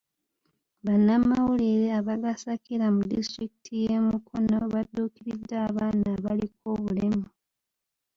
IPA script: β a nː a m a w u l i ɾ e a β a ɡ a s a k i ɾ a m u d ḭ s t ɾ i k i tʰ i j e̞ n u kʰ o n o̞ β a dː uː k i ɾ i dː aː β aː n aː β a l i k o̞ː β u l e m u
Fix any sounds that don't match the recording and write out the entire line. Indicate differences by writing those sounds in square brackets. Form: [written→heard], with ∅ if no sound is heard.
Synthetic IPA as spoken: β a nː a m a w u l i ɾ e a β a ɡ a s a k i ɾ a m u d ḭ s t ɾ i k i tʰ i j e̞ [n→m] u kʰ o n o̞ β a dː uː k i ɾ i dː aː β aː n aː β a l i k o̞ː β u l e m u